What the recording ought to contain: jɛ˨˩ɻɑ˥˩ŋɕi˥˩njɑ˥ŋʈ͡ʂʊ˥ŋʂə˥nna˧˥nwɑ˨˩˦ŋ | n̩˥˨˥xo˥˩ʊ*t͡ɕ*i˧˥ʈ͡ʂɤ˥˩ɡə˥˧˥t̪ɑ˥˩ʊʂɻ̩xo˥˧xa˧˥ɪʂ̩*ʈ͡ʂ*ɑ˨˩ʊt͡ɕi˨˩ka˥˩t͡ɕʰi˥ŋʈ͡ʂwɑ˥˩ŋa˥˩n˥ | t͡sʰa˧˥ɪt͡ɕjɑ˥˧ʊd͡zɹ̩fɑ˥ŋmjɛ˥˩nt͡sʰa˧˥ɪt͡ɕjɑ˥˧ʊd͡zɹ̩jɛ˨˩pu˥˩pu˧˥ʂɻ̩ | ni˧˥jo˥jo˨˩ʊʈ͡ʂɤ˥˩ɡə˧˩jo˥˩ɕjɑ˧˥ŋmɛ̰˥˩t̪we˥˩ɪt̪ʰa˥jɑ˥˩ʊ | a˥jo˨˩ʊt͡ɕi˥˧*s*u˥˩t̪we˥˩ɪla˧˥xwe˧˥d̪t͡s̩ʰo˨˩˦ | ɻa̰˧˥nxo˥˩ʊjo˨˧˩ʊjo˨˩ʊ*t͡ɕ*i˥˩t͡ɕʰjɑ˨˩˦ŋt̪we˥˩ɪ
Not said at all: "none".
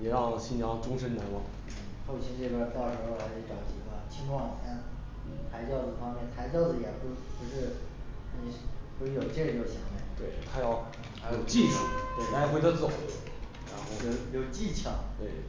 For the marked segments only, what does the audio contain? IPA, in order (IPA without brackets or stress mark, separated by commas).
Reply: t͡ɕʰ, ʈ͡ʂ, ʂ, t͡ɕ